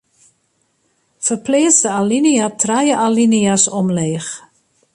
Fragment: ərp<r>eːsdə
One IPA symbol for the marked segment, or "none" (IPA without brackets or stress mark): l